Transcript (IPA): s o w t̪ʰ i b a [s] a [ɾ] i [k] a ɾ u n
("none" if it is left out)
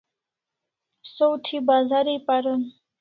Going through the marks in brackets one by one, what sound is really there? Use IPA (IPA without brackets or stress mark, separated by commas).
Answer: z, ɾ, p